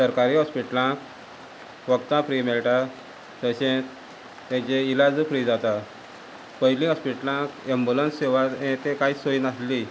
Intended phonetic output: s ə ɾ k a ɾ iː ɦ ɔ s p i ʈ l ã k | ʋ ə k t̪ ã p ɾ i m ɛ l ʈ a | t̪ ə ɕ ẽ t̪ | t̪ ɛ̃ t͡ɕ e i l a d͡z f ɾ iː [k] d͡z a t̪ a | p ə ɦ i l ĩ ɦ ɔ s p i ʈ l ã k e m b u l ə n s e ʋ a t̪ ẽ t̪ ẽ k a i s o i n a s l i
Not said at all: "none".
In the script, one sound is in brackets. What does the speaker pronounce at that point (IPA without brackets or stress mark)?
none